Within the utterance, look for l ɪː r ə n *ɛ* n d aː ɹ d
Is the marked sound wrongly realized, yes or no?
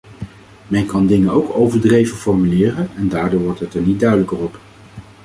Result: no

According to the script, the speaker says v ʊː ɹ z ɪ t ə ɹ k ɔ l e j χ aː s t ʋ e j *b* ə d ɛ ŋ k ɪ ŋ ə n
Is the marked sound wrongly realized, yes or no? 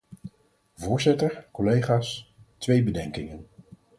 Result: no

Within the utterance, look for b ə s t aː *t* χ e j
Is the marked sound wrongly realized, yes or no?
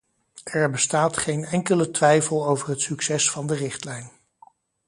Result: no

